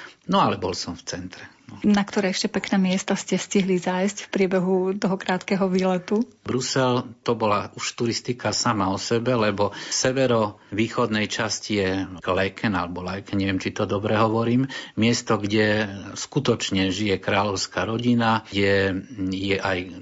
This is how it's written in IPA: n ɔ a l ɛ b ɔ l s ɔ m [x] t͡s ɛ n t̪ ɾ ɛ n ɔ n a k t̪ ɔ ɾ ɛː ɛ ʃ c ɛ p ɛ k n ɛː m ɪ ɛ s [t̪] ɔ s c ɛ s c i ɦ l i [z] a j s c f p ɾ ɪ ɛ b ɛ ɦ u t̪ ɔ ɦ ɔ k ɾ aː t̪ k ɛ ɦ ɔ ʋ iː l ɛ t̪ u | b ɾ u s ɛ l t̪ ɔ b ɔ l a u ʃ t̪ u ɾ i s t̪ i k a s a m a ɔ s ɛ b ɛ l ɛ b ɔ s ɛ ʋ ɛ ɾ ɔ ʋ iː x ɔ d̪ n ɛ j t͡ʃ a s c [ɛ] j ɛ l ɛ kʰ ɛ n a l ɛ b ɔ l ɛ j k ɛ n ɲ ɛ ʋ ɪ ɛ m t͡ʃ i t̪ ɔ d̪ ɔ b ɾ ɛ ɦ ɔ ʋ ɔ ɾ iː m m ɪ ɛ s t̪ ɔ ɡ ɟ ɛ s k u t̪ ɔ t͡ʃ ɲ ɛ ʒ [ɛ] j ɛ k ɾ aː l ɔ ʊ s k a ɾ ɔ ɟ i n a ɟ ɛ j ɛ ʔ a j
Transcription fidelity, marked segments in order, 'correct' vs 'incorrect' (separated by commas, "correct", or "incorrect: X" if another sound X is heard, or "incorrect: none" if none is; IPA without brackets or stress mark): incorrect: f, correct, correct, incorrect: i, incorrect: i